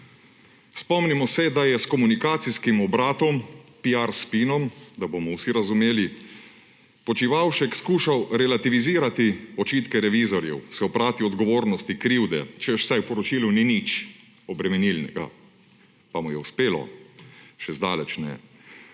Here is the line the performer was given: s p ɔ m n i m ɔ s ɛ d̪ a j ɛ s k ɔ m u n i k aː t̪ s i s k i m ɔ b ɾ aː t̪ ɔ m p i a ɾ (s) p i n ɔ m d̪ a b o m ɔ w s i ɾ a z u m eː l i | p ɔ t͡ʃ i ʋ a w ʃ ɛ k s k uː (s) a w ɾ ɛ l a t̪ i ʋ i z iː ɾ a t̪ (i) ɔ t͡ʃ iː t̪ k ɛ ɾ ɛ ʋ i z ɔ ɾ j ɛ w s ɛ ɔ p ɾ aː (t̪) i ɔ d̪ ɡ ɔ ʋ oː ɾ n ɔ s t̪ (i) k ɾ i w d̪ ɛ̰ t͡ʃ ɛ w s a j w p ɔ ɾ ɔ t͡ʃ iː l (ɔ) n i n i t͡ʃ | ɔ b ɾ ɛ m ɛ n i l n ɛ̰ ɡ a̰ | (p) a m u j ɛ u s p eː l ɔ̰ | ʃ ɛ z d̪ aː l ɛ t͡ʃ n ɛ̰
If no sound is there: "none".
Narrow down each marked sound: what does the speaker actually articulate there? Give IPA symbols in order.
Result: s, ʃ, i, t̪, i, u, p

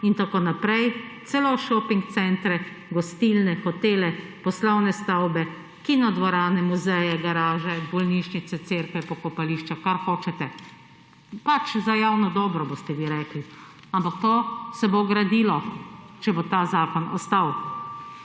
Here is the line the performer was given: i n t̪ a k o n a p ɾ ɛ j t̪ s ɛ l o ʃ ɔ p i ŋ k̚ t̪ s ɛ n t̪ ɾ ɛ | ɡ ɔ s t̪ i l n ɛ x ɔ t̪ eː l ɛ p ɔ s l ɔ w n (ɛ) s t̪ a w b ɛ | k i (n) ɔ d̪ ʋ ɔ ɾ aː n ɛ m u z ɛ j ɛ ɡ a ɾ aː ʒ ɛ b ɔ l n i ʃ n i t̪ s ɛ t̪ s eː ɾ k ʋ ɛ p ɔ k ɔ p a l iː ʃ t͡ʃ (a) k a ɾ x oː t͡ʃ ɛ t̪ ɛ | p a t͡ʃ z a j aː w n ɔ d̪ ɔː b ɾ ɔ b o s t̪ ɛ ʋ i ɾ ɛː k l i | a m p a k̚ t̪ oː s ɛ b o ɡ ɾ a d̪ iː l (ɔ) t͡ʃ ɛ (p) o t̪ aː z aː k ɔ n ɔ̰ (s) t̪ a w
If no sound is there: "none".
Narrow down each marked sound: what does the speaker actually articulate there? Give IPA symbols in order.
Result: ɛ, n, a, ɔ, b, s

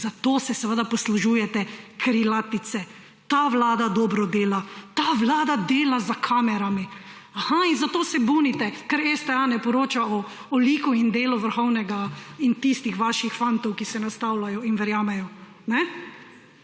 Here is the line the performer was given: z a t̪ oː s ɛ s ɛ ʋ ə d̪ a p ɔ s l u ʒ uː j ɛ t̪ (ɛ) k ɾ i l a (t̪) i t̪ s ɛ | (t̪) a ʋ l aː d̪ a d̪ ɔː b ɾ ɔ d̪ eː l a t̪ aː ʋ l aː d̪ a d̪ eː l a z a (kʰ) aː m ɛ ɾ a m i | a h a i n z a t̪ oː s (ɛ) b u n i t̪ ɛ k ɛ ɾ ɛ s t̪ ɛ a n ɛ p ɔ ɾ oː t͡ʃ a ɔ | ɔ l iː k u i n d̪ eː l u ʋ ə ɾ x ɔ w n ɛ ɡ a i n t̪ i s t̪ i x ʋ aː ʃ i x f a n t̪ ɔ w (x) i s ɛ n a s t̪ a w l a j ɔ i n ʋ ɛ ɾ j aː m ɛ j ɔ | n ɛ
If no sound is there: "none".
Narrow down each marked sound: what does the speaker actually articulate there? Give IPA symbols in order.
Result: ɛ, t̪, t̪, kʰ, ɛ, k

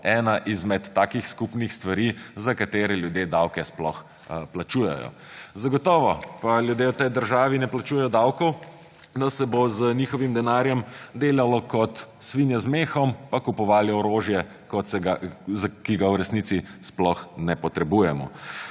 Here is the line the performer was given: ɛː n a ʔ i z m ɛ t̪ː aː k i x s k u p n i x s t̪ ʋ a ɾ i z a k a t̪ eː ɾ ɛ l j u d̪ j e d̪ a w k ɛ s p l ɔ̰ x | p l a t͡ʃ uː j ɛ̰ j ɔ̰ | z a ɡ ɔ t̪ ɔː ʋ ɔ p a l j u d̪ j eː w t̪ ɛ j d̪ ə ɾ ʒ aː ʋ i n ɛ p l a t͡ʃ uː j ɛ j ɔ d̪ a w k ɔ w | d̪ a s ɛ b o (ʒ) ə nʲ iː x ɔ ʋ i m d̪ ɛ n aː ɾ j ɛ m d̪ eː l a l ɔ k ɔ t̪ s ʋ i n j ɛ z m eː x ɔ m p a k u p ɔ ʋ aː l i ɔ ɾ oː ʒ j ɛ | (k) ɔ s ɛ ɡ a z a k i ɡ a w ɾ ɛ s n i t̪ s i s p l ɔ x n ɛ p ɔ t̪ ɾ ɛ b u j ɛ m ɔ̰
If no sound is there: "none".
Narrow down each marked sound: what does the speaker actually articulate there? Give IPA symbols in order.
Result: z, k

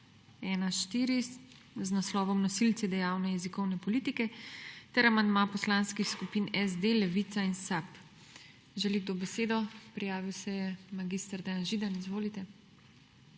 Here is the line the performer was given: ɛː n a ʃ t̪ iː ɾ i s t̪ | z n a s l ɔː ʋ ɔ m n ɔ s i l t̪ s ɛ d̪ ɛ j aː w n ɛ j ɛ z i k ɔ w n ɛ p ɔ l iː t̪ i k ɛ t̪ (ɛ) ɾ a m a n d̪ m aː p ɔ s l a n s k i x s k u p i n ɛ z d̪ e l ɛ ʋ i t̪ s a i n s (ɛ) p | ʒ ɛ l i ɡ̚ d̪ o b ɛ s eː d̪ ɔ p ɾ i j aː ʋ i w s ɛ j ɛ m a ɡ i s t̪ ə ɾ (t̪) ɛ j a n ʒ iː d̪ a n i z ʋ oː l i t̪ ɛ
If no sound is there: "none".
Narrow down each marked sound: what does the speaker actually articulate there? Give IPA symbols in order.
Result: ɛ, a, d̪

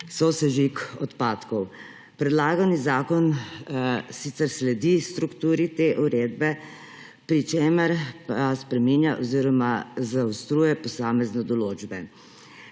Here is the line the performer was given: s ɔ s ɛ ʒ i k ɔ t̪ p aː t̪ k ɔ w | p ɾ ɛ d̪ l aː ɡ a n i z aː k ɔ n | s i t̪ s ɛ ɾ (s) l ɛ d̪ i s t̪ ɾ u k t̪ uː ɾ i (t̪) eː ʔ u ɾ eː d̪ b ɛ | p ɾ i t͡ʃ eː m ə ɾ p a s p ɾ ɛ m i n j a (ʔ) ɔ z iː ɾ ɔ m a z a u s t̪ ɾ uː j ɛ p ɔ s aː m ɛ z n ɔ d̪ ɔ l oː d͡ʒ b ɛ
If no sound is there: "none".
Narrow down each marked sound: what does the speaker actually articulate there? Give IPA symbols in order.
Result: s, t̪, ʔ

